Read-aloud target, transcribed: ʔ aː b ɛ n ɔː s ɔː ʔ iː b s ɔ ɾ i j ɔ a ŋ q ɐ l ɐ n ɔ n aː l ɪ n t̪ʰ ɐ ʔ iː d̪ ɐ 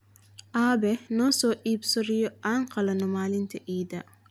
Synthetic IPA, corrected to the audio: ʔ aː b ɛ n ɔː s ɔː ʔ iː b s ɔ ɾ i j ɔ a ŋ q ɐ l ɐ n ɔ m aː l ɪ n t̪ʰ ɐ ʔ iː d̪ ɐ